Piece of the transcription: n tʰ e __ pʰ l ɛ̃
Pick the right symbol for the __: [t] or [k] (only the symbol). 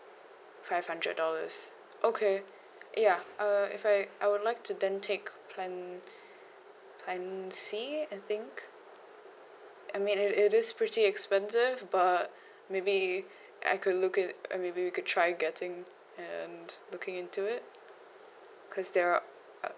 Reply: k